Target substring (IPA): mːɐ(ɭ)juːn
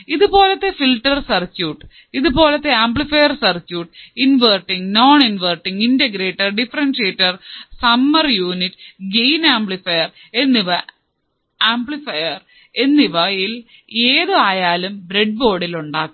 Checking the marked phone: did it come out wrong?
yes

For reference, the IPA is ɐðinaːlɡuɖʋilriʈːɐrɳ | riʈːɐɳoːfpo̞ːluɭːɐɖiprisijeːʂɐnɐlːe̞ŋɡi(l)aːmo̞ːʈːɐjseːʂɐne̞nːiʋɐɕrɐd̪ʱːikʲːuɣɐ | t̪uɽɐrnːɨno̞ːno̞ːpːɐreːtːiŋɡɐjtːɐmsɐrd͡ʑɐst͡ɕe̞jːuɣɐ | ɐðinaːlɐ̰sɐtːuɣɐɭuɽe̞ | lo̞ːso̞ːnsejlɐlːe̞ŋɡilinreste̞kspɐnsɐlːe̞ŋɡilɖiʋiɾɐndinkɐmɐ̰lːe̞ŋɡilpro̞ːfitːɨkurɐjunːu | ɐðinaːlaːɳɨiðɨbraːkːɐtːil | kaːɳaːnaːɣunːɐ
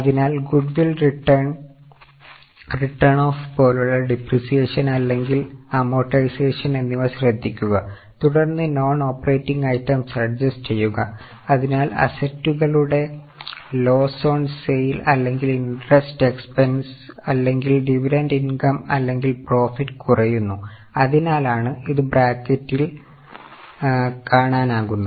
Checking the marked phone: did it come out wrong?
no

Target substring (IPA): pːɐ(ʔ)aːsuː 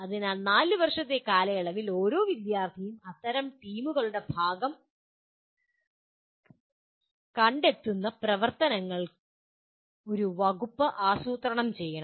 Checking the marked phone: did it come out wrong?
no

